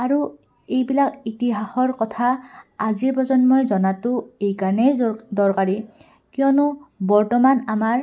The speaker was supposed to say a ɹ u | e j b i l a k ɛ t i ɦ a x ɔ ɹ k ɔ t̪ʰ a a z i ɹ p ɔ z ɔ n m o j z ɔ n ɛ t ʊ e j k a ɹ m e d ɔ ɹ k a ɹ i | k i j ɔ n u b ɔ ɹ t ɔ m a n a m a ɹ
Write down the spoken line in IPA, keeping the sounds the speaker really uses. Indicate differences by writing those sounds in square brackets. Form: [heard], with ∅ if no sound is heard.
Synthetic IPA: a ɹ u | e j b i l a k [i] t i ɦ a x ɔ ɹ k ɔ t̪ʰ a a z i ɹ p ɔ z ɔ n m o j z ɔ n [a] t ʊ e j k a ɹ [n] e d ɔ ɹ k a ɹ i | k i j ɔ n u b ɔ ɹ t ɔ m a n a m a ɹ